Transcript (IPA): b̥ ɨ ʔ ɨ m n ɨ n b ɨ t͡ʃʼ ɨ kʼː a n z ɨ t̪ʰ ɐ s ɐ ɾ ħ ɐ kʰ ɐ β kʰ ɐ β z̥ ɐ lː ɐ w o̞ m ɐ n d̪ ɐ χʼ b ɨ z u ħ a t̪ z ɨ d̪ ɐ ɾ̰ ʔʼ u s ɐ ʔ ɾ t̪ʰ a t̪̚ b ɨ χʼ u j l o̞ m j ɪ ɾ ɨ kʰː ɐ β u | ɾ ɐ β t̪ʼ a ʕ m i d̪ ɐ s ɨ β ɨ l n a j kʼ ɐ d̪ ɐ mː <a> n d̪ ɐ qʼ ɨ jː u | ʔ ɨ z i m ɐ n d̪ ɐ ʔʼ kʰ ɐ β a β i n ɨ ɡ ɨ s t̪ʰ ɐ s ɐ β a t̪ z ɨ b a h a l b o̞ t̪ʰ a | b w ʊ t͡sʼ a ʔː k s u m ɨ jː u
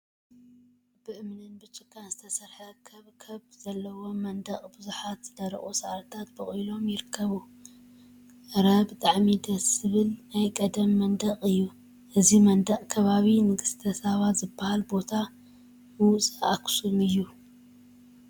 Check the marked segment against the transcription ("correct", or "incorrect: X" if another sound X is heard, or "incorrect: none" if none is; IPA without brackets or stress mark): incorrect: ɐ